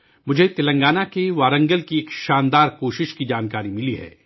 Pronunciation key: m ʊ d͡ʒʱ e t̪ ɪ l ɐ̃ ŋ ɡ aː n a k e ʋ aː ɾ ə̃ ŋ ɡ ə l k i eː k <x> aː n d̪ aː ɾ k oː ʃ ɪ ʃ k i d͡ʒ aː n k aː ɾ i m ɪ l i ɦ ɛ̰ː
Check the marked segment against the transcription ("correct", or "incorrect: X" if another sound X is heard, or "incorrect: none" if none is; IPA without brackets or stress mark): incorrect: ʃ